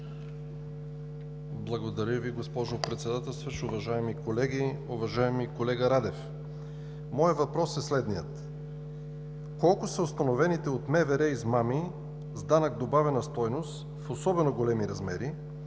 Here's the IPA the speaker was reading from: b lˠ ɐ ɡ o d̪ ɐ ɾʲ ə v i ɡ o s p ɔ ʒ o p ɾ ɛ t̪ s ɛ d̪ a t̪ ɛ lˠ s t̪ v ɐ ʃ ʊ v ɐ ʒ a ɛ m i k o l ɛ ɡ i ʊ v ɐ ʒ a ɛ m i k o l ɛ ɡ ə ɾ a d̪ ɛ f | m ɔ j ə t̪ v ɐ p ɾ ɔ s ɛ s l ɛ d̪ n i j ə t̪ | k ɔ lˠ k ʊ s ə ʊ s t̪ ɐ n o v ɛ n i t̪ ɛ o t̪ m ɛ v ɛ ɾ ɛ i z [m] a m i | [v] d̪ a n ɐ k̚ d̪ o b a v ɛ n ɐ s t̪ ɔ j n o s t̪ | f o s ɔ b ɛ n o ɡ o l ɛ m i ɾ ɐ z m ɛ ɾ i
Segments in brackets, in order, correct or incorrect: correct, incorrect: z

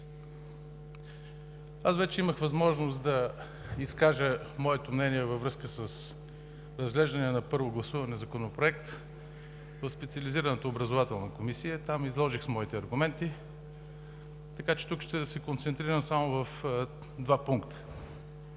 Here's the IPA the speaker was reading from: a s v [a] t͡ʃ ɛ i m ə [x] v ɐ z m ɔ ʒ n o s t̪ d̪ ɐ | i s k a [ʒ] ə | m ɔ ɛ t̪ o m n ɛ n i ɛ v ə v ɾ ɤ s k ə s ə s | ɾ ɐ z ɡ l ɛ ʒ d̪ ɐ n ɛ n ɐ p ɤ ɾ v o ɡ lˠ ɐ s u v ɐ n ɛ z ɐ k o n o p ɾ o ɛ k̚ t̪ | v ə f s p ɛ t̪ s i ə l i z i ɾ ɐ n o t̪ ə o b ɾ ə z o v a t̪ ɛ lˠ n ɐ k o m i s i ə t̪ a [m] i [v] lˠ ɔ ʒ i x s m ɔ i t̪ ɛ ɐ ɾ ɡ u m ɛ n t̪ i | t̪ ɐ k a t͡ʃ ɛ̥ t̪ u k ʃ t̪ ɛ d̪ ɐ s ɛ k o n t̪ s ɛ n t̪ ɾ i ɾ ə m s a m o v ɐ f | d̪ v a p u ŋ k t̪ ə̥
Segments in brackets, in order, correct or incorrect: incorrect: ɛ, correct, correct, correct, incorrect: z

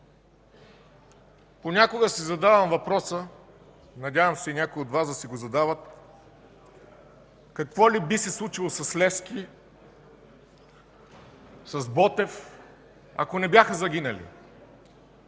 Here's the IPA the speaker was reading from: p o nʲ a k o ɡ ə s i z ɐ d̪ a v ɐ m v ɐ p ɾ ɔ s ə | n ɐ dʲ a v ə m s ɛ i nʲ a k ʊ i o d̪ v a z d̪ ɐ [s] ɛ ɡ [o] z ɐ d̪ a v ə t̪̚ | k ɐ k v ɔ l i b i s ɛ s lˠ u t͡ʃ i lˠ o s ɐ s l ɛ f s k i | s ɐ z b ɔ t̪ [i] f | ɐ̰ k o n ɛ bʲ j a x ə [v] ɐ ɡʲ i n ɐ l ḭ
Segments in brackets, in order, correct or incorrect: correct, correct, incorrect: ɛ, incorrect: z

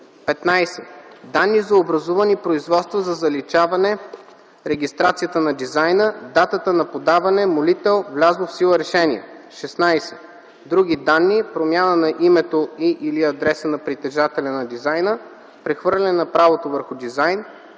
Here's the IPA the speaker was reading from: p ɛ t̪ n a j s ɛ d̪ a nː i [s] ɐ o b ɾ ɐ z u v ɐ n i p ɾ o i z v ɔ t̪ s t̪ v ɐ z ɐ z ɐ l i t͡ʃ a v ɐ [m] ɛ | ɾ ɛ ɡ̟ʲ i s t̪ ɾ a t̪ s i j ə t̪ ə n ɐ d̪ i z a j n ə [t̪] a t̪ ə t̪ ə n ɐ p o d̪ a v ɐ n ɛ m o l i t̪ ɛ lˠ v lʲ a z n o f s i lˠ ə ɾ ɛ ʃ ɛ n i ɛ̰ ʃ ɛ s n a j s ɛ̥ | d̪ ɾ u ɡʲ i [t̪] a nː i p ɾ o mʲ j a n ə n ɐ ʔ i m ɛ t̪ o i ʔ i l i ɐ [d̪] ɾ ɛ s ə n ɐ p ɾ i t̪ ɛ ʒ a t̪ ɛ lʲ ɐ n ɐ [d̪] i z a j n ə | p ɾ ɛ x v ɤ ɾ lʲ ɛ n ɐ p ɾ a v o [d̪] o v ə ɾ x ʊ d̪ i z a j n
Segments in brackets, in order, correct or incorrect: incorrect: z, incorrect: n, incorrect: d̪, incorrect: d̪, correct, correct, incorrect: t̪

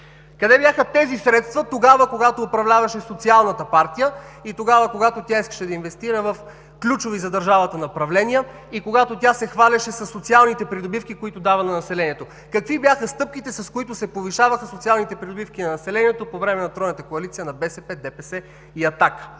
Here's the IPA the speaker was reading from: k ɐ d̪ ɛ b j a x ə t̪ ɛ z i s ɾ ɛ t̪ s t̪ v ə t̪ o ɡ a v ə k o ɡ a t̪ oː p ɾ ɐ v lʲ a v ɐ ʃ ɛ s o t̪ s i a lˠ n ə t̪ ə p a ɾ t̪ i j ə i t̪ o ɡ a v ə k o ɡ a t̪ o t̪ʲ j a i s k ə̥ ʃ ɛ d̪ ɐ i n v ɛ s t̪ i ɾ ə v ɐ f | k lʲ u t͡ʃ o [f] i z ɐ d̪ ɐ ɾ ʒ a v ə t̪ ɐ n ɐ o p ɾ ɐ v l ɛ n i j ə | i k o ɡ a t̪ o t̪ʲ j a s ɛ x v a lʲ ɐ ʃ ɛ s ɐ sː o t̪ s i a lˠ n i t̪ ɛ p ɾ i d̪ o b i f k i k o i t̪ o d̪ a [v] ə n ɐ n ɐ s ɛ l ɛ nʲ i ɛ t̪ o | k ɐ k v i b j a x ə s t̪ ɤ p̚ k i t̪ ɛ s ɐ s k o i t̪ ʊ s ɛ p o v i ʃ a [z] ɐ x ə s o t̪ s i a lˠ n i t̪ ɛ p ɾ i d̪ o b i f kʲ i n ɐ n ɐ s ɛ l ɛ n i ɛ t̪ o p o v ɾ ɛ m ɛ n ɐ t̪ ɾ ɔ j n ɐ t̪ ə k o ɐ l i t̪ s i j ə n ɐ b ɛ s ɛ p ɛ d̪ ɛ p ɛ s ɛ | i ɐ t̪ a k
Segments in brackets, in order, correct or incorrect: incorrect: v, correct, incorrect: v

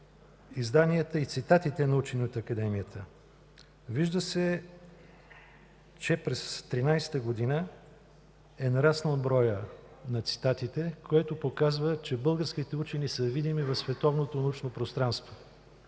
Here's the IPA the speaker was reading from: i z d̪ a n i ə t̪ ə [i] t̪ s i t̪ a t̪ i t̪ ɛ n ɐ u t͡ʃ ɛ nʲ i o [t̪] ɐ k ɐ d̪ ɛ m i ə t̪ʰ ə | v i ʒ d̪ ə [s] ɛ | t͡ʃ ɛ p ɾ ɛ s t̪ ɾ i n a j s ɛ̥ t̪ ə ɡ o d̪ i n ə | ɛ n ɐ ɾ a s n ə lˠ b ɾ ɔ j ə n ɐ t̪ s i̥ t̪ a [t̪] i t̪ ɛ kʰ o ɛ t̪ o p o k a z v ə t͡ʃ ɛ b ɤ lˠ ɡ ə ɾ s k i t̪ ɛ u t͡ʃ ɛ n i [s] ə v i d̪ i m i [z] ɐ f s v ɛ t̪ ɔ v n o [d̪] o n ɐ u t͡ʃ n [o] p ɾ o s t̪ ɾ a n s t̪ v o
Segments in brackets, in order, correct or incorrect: correct, correct, correct, correct, correct, incorrect: v, incorrect: t̪, correct

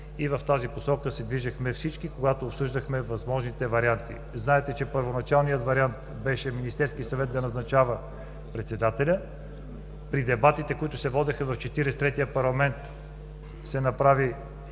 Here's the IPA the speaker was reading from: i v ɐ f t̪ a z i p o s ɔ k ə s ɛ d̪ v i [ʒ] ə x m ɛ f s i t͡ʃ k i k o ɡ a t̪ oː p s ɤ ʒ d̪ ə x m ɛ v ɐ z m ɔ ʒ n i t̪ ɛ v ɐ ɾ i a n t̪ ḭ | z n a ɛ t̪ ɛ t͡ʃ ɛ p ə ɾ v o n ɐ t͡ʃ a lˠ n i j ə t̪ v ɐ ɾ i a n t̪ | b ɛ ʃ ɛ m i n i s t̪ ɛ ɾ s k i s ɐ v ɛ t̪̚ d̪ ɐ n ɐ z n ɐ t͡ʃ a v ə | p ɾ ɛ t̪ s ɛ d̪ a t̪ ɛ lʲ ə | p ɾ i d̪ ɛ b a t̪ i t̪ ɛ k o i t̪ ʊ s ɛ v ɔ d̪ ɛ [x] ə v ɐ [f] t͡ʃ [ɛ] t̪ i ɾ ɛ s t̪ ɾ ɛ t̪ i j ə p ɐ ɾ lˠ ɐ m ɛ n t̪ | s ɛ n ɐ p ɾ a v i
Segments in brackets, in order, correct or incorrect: correct, correct, correct, correct

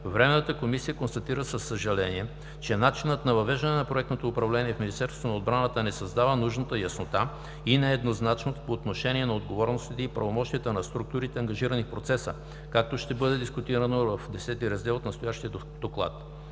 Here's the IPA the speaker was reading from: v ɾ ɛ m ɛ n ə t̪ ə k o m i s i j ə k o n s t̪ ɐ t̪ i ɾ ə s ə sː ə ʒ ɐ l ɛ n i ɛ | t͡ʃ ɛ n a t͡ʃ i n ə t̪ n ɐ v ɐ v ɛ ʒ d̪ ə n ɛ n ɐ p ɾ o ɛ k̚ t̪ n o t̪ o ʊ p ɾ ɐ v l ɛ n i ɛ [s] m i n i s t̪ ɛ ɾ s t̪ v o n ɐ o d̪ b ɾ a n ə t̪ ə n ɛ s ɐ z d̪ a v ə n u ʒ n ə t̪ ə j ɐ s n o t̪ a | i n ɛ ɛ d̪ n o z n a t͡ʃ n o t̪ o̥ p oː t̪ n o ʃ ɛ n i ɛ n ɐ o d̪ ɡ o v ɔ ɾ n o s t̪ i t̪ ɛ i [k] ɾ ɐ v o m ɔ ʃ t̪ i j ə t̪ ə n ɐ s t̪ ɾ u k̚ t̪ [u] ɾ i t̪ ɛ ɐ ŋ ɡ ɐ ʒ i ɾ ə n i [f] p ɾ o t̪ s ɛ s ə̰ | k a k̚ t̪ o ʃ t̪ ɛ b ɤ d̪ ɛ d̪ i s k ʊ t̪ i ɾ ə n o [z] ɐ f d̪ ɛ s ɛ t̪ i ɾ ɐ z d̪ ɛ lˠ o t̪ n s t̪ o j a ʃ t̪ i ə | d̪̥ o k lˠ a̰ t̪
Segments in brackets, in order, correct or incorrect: incorrect: f, incorrect: p, correct, correct, incorrect: v

